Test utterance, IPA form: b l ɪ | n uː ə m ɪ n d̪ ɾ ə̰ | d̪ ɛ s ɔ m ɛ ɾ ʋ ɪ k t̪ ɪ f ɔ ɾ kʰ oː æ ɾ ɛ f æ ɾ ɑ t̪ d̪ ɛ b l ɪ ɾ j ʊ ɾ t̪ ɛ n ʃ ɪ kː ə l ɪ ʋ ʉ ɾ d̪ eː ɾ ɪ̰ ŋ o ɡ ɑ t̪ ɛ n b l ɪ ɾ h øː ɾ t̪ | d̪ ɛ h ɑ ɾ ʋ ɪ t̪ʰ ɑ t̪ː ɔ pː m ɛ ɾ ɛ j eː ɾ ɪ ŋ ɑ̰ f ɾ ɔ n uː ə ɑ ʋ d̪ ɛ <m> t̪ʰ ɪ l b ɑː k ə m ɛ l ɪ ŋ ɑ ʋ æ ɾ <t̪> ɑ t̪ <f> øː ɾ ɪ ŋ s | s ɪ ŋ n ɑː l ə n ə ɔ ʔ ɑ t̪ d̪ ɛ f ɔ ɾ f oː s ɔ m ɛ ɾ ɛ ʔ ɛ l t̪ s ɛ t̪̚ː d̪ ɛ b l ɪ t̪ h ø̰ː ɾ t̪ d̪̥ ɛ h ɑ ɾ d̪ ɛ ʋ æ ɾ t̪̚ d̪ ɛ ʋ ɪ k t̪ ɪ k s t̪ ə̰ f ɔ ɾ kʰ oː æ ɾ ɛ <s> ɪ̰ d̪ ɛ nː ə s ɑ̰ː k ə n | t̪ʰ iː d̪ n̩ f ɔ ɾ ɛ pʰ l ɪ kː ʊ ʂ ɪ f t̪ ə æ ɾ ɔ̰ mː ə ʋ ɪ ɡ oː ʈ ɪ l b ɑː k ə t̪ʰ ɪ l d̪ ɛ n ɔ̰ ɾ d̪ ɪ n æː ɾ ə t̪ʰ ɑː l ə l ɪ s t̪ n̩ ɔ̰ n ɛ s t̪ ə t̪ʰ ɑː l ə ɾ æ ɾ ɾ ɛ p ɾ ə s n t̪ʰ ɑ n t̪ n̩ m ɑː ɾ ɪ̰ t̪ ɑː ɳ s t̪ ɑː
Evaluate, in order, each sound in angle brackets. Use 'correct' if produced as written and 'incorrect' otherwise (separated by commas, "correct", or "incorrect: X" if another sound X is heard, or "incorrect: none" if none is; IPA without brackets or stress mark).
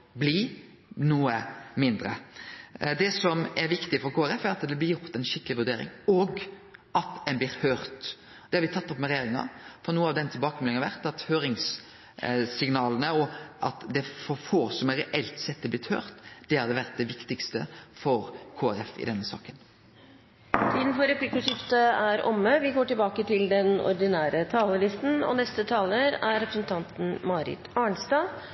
incorrect: n, correct, incorrect: h, incorrect: f